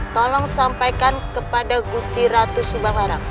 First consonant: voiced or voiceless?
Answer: voiceless